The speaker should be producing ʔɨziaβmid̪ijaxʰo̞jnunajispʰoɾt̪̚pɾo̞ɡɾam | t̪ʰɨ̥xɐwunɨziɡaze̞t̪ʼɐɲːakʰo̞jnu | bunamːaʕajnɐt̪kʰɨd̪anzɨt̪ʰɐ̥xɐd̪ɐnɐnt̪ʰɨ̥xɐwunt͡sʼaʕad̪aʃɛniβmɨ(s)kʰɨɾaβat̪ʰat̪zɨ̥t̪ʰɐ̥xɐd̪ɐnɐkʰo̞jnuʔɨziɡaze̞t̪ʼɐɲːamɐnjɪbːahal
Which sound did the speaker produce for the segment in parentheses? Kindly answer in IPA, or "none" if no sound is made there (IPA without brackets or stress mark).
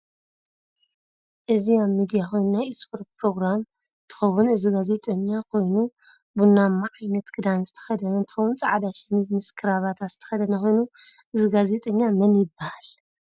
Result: s